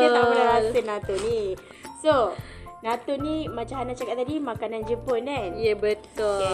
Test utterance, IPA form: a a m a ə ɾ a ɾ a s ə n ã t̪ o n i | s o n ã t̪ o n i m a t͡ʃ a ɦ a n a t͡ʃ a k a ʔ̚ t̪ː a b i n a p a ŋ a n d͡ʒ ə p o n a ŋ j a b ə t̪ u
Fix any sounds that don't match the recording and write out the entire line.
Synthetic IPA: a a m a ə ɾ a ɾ a s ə n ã t̪ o n i | s o n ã t̪ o n i m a t͡ʃ a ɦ a n a t͡ʃ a k a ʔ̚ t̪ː a d i m a k a n a n d͡ʒ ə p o n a n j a b ə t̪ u